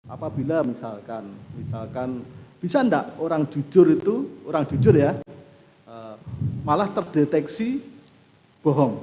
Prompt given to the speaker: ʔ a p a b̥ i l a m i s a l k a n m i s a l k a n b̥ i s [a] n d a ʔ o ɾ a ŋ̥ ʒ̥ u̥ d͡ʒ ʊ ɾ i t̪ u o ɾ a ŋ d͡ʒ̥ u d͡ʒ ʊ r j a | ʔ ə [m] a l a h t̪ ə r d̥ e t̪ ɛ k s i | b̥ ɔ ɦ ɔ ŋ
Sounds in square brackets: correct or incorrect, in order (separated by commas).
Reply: correct, correct